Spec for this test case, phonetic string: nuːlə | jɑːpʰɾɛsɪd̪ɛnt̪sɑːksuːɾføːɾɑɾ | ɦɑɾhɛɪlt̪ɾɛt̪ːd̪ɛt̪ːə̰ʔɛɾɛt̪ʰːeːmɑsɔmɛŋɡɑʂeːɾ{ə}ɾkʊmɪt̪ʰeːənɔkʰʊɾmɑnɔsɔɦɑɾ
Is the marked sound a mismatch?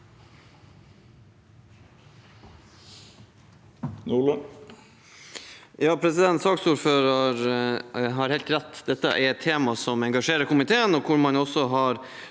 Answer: no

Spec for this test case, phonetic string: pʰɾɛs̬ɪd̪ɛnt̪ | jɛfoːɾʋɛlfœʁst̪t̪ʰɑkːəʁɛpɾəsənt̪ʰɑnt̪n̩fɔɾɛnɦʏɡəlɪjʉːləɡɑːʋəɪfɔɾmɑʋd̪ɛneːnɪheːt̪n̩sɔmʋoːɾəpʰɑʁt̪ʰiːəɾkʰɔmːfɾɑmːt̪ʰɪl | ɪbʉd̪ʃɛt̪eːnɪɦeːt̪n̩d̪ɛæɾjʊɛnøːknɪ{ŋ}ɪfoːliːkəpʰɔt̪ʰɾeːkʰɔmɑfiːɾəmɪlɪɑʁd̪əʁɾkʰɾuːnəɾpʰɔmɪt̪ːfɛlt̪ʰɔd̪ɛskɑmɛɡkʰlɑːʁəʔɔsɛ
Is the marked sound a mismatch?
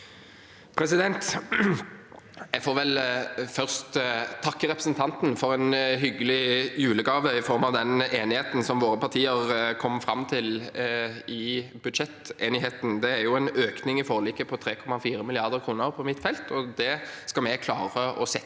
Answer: no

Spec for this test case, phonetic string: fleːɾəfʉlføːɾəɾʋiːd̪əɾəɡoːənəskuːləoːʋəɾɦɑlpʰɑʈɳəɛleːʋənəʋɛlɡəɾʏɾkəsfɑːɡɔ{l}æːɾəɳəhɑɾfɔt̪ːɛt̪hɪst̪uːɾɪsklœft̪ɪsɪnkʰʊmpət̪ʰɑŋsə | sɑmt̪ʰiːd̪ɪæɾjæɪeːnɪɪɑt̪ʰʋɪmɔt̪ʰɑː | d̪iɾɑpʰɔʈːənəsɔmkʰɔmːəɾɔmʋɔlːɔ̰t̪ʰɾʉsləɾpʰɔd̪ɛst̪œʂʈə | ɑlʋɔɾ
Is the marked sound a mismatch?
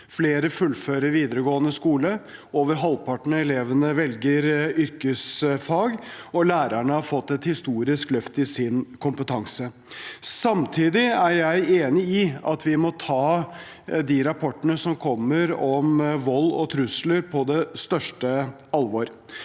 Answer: no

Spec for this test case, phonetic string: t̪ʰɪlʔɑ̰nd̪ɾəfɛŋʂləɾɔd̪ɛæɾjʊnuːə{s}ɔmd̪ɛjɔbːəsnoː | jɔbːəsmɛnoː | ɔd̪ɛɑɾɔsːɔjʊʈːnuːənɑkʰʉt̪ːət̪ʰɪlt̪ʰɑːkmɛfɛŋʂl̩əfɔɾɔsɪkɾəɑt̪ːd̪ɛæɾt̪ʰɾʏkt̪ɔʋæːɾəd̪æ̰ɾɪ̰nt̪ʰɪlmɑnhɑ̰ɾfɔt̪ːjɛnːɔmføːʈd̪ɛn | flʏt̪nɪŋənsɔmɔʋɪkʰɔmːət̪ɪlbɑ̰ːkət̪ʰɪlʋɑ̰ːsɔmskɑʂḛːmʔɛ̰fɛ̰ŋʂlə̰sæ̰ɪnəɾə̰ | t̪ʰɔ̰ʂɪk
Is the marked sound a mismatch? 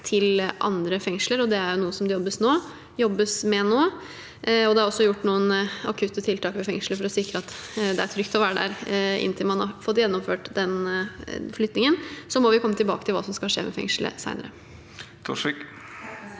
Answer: no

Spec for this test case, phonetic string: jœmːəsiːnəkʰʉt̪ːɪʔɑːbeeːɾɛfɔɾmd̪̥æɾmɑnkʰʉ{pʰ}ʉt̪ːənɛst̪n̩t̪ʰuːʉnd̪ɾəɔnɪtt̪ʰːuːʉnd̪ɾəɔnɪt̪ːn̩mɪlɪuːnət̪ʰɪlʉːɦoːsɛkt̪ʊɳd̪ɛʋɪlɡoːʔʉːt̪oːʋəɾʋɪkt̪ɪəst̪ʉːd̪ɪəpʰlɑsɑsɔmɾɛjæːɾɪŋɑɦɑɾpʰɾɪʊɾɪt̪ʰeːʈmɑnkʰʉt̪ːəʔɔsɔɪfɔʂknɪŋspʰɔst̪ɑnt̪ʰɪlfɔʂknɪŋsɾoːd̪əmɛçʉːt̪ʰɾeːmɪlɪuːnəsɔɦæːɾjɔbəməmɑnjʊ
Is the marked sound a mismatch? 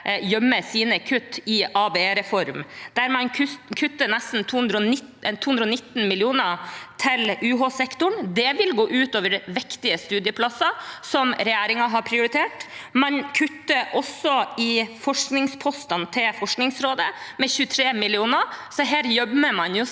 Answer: yes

